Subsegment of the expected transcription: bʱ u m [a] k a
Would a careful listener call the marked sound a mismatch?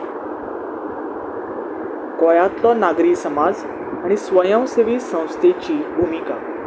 yes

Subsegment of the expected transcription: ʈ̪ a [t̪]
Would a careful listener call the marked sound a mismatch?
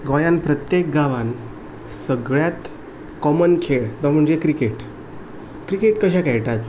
no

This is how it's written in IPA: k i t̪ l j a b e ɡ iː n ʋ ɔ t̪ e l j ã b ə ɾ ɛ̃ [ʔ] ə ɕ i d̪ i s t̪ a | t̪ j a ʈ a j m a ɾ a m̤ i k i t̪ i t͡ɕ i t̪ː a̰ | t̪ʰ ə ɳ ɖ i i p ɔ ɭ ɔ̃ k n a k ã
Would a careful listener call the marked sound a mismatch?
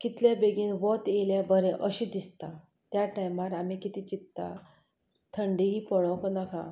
no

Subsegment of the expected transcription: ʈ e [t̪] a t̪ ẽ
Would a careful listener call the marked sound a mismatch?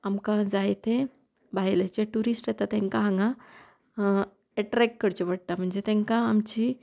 no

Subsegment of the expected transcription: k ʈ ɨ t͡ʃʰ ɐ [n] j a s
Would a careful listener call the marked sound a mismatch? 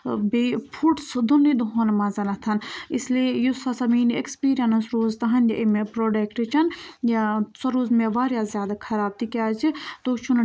no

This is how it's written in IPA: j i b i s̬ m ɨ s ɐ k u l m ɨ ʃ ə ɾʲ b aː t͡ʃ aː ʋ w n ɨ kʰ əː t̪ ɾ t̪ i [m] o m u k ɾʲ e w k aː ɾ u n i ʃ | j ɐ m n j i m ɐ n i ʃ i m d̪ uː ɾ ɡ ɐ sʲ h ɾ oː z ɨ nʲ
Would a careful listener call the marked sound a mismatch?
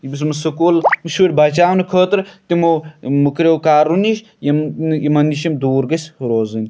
no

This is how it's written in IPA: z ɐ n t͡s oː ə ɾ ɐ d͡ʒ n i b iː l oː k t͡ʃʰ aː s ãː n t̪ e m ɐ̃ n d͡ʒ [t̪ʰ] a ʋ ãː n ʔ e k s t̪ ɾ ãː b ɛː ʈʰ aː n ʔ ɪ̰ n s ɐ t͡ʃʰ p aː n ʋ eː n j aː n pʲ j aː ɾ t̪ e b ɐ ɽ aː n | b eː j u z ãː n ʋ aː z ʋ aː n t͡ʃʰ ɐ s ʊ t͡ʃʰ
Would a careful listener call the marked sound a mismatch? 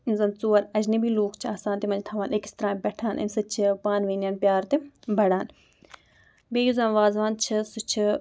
no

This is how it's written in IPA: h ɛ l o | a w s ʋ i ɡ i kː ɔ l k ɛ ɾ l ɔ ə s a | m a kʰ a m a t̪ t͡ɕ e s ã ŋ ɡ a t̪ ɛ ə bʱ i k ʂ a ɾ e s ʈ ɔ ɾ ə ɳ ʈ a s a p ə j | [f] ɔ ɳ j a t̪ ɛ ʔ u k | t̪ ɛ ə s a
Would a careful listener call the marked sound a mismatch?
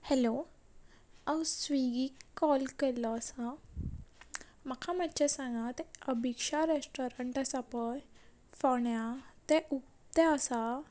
no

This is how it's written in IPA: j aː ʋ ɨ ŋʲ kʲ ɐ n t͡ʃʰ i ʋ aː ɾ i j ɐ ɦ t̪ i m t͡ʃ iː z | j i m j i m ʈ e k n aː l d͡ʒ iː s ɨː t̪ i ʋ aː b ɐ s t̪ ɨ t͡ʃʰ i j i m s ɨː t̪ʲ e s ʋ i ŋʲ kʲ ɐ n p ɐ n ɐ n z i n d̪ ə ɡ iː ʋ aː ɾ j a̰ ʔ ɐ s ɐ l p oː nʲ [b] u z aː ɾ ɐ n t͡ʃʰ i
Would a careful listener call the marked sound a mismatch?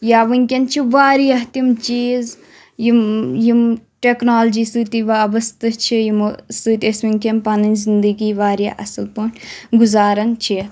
yes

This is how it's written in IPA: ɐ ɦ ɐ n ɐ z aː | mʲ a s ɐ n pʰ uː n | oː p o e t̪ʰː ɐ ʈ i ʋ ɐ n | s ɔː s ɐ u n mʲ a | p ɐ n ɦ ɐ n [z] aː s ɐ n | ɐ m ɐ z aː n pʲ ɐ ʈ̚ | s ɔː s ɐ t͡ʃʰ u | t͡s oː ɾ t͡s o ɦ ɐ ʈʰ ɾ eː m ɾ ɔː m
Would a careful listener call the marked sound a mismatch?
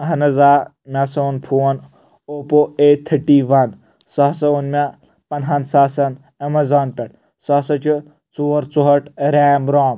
yes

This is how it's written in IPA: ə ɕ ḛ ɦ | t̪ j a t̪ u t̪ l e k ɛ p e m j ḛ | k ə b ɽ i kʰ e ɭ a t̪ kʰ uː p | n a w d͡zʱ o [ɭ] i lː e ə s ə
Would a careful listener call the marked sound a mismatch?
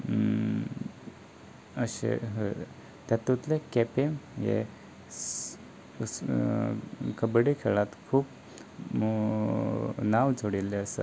yes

